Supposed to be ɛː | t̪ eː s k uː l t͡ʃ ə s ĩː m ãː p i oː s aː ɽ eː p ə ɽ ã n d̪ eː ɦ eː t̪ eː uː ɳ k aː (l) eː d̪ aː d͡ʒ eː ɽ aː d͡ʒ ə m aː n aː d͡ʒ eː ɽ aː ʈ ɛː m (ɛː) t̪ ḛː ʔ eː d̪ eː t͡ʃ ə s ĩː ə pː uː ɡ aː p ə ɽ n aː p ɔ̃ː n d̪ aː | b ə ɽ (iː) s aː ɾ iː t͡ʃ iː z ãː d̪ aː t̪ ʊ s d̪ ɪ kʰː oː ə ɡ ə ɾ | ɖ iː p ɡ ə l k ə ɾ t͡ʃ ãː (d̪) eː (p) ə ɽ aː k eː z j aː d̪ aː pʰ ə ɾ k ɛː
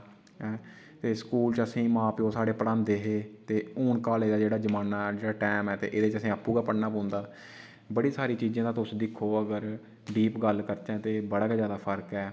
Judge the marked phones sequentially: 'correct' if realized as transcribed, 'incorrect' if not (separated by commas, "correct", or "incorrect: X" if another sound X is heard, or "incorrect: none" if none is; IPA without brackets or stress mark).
correct, correct, correct, incorrect: t̪, incorrect: b